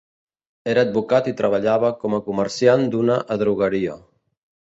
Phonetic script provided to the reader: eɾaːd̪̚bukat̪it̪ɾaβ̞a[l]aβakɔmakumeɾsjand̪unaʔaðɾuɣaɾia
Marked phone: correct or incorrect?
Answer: incorrect